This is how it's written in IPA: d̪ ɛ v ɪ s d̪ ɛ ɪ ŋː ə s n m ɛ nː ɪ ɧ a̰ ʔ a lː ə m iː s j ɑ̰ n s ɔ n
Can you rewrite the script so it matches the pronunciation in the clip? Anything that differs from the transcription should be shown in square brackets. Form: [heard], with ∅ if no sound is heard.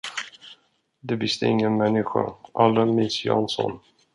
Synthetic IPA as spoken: d̪ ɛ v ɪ s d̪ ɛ ɪ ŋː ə [∅] n m ɛ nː ɪ ɧ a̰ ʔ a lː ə m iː s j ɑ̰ n s ɔ n

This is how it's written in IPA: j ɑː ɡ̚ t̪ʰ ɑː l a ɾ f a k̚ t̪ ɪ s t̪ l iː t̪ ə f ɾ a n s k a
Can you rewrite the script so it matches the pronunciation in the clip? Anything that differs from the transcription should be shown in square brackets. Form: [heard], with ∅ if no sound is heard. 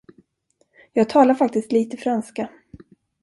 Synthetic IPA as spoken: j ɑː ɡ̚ t̪ʰ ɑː l a ɾ f a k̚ t̪ ɪ s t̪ l iː t̪ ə f ɾ a n s k a

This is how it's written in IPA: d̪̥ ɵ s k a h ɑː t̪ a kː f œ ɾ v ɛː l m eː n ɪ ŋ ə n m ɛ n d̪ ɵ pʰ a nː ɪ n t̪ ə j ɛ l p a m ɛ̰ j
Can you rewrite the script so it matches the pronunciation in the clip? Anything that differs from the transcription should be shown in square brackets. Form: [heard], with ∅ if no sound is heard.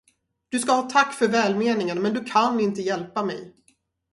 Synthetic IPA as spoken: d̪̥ ɵ s k a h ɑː [t̪ʰ] a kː f œ ɾ v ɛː l m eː n ɪ ŋ ə n m ɛ n d̪ ɵ [kʰ] a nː ɪ n t̪ ə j ɛ l p a m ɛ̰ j

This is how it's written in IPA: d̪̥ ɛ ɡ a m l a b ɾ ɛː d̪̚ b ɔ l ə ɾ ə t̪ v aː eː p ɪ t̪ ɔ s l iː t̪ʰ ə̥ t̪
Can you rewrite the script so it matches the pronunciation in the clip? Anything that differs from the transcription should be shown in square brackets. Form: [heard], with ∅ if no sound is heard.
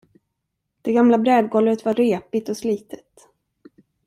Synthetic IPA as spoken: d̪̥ ɛ ɡ a m l a b ɾ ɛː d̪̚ [ɡ] ɔ l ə ɾ ə t̪ v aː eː p ɪ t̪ ɔ s l iː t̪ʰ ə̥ t̪

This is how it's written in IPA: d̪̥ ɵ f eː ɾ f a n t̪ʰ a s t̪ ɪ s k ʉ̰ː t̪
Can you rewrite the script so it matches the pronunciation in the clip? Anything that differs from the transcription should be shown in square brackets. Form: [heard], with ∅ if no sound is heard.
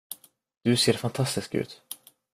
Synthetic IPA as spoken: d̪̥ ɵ [s] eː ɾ f a n t̪ʰ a s t̪ ɪ s k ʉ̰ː t̪

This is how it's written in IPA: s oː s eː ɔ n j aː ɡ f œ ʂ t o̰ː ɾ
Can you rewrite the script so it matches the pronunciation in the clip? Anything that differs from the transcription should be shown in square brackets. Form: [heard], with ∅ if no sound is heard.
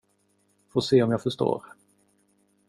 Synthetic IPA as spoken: [f] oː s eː ɔ [m] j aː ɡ f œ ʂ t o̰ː ɾ

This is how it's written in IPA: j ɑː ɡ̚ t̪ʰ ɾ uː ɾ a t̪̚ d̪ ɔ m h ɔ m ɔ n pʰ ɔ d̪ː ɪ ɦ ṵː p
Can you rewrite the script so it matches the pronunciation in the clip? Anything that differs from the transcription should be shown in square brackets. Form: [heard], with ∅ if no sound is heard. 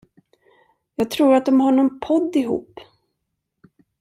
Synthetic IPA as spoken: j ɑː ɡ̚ t̪ʰ ɾ uː ɾ a t̪̚ d̪ ɔ m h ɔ [ɳ] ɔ n pʰ ɔ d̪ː ɪ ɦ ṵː p

